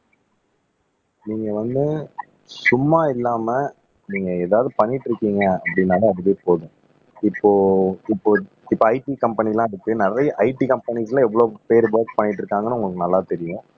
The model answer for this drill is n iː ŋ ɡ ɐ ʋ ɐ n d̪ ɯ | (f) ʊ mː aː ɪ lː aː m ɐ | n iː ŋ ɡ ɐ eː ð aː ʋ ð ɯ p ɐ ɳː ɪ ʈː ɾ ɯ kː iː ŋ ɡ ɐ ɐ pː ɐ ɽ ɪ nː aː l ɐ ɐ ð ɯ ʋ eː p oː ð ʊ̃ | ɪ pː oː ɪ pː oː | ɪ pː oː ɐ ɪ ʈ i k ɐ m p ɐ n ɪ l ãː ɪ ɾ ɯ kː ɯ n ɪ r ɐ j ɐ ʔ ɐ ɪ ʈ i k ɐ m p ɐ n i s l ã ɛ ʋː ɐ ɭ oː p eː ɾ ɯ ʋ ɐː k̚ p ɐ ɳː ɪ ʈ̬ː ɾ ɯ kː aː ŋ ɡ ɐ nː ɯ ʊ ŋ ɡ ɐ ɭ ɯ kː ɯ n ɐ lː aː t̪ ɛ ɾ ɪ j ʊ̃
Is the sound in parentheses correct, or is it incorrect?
incorrect